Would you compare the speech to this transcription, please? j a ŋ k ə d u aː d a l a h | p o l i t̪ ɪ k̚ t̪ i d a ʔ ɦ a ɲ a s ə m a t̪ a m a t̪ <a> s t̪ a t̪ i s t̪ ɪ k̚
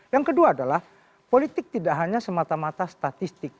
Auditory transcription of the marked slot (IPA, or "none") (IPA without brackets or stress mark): a